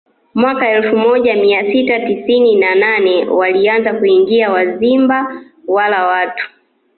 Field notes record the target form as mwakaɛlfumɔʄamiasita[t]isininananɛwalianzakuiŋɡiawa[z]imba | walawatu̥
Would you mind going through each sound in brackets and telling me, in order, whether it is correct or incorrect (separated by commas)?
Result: correct, correct